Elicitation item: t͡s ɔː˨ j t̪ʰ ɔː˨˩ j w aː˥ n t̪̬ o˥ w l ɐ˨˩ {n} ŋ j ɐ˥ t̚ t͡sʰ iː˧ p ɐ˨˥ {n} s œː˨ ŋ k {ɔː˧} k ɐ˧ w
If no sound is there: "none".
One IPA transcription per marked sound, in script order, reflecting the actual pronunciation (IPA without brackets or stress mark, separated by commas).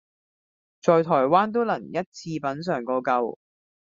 none, n, ɔː˧